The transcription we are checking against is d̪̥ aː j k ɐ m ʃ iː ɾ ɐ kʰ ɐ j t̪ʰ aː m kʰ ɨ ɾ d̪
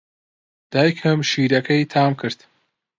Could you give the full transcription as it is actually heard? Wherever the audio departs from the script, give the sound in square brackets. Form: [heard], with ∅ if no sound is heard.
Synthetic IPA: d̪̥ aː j [kʰ] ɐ m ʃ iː ɾ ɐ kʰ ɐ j t̪ʰ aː m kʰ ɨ ɾ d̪